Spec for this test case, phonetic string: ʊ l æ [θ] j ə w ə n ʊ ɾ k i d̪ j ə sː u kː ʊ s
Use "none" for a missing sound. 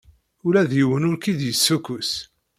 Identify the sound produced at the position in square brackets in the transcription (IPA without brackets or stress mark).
ð